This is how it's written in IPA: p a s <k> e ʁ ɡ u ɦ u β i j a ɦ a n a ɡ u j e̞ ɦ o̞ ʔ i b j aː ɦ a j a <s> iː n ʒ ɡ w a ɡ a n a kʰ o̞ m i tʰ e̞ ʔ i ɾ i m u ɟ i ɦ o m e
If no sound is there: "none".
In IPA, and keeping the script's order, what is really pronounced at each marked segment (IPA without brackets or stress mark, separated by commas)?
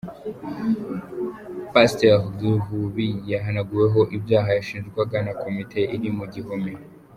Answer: t, ʃ